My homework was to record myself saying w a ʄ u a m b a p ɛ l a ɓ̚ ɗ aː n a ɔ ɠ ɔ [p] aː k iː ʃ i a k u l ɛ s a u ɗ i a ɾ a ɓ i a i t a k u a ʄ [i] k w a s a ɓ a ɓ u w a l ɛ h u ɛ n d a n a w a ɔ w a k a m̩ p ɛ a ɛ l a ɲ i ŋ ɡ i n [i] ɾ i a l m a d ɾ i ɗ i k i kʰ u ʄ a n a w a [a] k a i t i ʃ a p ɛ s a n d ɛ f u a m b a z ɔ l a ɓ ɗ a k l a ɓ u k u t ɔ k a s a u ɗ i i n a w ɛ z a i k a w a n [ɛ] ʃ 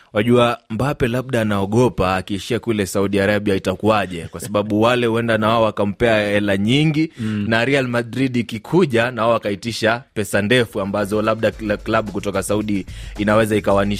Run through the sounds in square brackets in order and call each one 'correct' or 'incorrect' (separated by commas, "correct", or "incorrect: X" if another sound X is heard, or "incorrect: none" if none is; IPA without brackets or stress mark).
correct, incorrect: ɛ, incorrect: a, correct, incorrect: i